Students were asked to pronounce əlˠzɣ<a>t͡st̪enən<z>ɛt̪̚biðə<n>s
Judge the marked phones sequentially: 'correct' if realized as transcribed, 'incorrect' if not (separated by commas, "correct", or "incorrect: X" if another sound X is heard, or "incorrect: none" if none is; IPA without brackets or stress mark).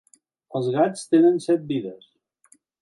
correct, incorrect: s, incorrect: none